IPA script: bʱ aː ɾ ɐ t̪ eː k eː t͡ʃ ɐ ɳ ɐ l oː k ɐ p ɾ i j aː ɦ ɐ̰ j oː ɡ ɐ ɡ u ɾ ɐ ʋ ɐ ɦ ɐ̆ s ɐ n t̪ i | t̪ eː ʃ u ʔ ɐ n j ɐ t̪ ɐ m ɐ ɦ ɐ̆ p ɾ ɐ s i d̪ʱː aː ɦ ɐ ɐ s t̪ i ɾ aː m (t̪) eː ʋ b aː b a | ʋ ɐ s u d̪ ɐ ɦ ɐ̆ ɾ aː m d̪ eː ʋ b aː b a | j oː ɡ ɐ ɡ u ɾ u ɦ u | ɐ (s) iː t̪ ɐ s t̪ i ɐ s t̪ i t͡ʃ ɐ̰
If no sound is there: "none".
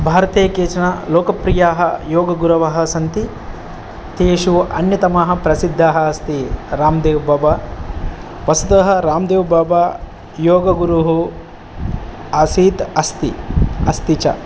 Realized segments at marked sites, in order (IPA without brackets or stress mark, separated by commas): d̪, s